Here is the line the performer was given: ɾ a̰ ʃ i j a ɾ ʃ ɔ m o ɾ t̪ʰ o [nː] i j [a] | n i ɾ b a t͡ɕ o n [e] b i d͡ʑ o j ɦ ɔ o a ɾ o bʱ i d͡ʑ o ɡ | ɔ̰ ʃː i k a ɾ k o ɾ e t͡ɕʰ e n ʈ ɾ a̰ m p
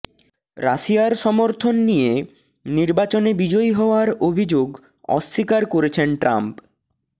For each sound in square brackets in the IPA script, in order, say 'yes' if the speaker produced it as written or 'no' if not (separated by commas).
yes, no, yes